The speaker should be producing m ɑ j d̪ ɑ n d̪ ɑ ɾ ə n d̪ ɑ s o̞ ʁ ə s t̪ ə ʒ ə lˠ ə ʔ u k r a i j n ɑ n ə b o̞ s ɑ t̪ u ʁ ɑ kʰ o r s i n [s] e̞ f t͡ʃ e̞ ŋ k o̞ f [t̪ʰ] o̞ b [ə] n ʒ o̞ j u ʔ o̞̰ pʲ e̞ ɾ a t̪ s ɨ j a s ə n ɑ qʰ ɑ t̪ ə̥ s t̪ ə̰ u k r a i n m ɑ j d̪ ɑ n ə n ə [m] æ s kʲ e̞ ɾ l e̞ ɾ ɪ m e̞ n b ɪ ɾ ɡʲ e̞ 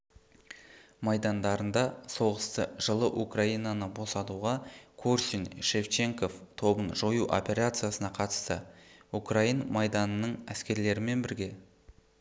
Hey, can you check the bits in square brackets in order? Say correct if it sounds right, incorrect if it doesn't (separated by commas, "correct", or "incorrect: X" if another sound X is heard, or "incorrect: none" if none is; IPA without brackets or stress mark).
incorrect: ʃ, correct, correct, incorrect: ɴ